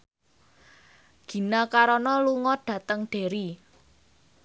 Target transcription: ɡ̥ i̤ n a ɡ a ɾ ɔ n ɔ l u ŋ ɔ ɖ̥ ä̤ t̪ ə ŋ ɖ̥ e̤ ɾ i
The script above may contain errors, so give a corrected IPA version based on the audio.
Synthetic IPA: ɡ̥ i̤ n a k a ɾ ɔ n ɔ l u ŋ ɔ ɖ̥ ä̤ t̪ ə ŋ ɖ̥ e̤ ɾ i